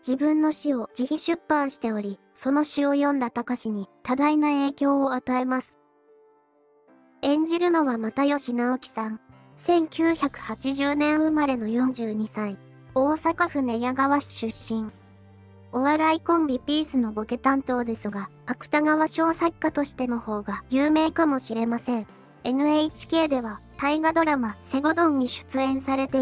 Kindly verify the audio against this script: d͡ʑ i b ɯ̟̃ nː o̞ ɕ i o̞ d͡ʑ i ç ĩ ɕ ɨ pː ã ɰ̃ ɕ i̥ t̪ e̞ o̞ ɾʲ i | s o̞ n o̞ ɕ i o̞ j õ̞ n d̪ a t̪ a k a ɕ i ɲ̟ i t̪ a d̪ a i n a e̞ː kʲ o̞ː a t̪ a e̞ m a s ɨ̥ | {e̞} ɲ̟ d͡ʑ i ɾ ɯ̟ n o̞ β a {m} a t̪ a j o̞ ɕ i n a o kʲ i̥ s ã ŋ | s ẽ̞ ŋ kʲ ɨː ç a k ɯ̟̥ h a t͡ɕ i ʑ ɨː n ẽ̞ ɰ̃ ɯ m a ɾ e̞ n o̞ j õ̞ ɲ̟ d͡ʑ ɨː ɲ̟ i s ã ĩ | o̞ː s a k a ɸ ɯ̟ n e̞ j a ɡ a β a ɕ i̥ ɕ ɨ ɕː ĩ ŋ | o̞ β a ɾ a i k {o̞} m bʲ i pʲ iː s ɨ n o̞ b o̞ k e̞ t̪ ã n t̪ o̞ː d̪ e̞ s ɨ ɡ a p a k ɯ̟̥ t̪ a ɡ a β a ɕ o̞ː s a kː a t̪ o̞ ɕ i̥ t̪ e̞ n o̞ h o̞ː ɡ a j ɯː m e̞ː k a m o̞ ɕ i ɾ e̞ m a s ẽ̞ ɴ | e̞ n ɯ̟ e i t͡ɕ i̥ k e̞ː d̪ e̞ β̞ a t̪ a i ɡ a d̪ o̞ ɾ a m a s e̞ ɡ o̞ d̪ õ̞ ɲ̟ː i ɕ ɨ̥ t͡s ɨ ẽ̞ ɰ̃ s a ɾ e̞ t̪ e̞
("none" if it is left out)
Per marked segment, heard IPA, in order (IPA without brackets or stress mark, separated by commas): ẽ̞, m, õ̞